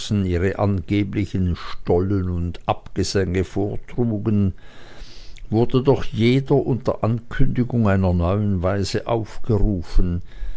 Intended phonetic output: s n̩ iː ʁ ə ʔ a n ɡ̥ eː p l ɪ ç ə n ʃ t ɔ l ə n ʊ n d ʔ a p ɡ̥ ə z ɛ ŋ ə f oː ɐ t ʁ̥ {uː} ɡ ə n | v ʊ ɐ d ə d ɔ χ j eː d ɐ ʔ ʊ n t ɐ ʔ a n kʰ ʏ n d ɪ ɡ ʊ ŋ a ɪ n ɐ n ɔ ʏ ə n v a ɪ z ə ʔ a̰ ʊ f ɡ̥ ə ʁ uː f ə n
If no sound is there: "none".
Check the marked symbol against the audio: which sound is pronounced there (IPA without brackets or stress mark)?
uː